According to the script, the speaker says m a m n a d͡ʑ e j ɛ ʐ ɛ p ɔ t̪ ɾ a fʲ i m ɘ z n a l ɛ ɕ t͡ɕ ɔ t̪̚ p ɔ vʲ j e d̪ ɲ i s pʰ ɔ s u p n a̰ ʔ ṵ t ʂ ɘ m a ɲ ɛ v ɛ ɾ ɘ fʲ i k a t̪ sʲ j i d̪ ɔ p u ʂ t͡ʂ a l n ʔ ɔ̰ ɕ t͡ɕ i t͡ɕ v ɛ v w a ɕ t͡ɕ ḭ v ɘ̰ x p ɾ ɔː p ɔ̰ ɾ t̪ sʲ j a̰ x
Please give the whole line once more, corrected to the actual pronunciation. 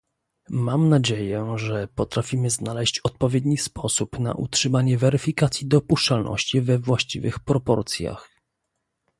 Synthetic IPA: m a m n a d͡ʑ e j ɛ ʐ ɛ p ɔ t̪ ɾ a fʲ i m ɘ z n a l ɛ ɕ t͡ɕ ɔ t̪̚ p ɔ vʲ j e d̪ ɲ i s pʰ ɔ s u p n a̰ ʔ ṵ t ʂ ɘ m a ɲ ɛ v ɛ ɾ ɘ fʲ i k a t̪ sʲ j i d̪ ɔ p u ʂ t͡ʂ a l n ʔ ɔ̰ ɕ t͡ɕ i v ɛ v w a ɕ t͡ɕ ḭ v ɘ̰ x p ɾ ɔ p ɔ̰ ɾ t̪ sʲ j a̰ x